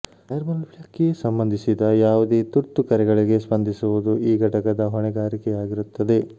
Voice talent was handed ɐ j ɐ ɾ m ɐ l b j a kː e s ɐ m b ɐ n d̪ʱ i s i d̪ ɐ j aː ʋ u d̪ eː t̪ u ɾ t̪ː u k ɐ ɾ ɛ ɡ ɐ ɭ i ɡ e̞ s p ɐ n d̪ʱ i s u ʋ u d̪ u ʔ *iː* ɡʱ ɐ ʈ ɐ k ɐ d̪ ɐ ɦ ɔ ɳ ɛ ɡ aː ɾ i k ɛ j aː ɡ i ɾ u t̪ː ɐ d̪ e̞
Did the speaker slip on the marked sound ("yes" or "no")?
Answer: no